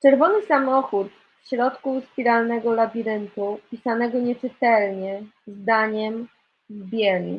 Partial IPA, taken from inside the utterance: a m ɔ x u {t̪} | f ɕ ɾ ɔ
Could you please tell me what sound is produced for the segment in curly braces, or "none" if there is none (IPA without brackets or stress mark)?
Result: t̪